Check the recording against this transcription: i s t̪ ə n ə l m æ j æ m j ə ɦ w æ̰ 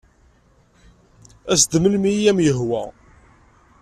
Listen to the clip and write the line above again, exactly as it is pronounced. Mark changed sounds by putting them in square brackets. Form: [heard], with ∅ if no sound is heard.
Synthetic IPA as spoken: [æ] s [d̪] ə [m] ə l m [i] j æ m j ə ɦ w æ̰